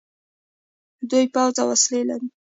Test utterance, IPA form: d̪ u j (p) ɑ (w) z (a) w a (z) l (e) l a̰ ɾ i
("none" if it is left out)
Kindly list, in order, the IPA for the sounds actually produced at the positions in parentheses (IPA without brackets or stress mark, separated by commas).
p, w, a, s, e